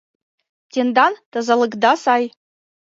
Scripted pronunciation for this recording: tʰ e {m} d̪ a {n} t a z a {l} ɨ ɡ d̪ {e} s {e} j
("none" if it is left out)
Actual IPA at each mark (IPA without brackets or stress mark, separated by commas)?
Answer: n, n, l, a, a